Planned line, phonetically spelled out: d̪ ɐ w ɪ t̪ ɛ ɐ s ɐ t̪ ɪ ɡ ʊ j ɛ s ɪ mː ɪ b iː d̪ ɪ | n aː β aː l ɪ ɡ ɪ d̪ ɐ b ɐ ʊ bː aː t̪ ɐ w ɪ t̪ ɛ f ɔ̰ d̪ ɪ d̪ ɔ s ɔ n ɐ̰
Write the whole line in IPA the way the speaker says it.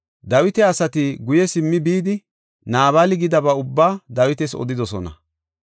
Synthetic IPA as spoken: d̪ ɐ w ɪ t̪ ɛ ɐ s ɐ t̪ ɪ ɡ ʊ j ɛ s ɪ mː ɪ b iː d̪ ɪ | n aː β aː l ɪ ɡ ɪ d̪ ɐ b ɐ ʊ bː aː d̪ ɐ w ɪ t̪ ɛ s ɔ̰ d̪ ɪ d̪ ɔ s ɔ n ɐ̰